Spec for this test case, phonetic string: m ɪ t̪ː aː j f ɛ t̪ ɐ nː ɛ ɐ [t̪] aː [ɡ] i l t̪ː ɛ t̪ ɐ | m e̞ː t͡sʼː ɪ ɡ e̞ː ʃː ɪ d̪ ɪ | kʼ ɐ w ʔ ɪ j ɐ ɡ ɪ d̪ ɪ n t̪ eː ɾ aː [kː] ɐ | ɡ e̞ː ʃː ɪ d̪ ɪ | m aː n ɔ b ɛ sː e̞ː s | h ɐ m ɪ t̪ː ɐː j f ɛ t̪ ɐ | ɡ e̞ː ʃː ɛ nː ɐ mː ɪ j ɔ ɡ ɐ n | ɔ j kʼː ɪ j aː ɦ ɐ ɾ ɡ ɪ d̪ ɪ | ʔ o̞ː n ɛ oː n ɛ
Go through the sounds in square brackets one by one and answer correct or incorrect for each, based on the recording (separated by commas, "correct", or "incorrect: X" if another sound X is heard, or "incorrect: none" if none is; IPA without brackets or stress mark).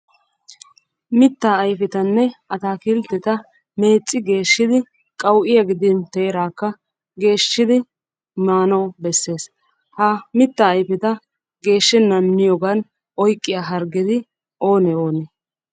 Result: correct, incorrect: k, correct